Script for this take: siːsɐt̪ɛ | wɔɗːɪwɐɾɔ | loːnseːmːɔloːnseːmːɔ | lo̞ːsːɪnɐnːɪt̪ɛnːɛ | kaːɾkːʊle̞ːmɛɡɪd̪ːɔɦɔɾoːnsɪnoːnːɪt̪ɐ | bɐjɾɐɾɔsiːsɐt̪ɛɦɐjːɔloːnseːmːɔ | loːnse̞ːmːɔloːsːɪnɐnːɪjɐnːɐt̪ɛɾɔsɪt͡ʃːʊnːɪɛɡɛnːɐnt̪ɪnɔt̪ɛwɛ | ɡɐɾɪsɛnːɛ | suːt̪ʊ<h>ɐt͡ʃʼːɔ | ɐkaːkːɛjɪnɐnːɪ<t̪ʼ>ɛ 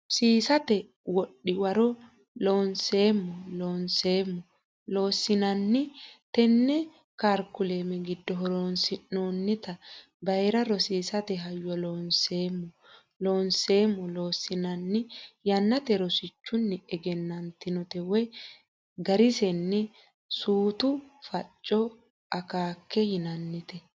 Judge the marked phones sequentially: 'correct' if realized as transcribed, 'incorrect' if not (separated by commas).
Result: incorrect, incorrect